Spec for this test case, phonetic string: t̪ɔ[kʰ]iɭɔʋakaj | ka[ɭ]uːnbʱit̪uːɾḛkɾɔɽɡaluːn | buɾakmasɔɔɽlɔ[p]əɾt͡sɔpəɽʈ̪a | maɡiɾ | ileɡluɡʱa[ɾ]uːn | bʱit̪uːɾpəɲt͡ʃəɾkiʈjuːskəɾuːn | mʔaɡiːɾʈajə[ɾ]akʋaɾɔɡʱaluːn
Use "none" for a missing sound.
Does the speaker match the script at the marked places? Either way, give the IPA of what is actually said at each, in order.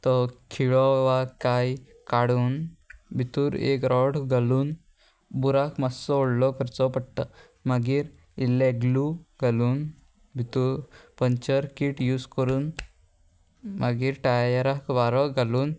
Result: kʰ, ɽ, k, l, ɾ

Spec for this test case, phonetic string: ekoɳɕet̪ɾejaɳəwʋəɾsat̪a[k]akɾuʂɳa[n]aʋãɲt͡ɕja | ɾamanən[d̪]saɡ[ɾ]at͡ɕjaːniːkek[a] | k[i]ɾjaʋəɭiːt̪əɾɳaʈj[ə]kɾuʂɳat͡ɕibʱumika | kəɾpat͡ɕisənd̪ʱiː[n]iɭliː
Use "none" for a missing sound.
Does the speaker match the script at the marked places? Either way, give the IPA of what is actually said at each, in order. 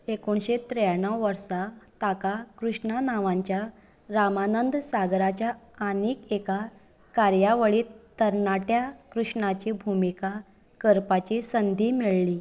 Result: k, n, d̪, ɾ, a, a, a, m

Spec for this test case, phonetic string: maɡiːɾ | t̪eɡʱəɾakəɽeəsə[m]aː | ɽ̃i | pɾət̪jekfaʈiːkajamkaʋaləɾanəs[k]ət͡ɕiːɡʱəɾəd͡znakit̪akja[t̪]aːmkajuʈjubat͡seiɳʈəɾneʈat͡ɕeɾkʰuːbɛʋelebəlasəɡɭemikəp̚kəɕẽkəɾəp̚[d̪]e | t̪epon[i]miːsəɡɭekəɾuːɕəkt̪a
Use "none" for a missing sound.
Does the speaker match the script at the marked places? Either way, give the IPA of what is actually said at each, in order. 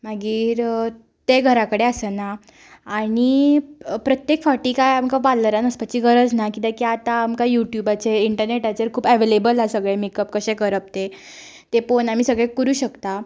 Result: n, p, t̪, t̪, a

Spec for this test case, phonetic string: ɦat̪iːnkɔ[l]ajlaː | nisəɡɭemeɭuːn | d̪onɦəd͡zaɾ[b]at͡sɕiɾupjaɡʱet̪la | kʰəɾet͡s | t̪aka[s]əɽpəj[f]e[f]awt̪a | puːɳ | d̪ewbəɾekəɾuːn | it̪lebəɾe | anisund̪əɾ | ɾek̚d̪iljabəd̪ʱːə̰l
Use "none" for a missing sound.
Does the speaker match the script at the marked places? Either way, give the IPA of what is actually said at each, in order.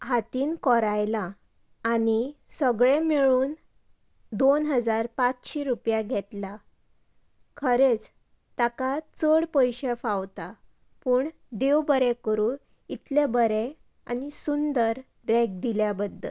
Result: ɾ, p, t͡s, ɕ, f

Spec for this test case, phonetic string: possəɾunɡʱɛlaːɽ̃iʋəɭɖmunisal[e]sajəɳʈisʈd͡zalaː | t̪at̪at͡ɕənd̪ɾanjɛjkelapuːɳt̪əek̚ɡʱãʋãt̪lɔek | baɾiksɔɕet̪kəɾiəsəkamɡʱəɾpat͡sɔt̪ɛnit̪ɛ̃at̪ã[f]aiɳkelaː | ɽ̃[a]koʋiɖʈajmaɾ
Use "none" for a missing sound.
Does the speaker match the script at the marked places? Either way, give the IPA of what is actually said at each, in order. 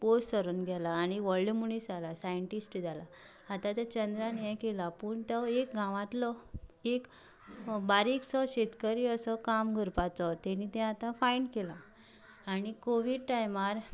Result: a, f, i

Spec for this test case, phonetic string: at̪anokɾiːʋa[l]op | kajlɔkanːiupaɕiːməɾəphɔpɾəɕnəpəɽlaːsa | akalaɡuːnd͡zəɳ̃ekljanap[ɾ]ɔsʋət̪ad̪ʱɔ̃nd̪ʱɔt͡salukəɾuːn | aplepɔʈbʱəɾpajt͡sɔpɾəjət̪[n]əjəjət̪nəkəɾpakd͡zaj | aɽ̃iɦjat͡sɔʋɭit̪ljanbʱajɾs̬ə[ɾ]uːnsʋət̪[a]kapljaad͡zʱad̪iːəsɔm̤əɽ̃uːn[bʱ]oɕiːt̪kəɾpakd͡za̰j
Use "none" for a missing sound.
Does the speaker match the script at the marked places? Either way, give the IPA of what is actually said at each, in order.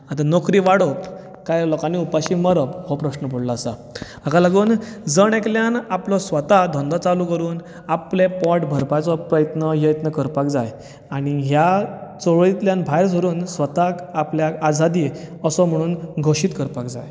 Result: ɽ, l, n, ɾ, a, ɡʱ

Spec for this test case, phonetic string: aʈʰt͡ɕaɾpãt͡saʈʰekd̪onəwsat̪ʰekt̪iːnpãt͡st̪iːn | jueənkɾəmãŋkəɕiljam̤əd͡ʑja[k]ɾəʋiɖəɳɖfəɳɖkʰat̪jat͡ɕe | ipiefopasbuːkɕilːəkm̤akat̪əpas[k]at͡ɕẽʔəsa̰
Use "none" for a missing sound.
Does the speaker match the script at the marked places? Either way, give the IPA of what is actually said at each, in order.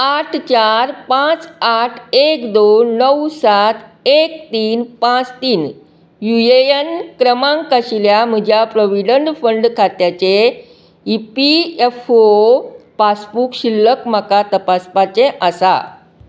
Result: p, p

